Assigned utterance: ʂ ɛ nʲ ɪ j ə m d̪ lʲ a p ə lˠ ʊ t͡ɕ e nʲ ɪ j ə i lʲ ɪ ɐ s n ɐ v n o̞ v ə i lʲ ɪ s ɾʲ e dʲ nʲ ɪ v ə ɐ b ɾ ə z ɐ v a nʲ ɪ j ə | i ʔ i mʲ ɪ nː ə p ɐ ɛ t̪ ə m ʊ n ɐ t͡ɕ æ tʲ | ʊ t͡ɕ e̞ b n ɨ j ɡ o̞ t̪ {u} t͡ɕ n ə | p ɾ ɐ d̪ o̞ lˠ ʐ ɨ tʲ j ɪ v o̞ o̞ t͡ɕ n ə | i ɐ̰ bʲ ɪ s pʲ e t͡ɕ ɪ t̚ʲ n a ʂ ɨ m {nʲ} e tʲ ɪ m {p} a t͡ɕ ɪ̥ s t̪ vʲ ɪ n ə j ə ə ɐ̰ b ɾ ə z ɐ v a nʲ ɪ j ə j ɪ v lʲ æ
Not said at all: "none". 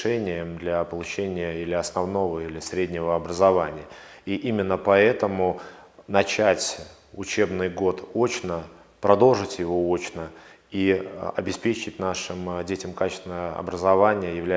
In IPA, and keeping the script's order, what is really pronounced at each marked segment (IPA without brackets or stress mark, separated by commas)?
o, dʲ, k